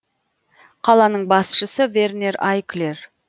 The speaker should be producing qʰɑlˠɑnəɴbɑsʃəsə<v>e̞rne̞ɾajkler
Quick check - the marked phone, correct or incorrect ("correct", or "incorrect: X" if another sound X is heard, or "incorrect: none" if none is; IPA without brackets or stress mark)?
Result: correct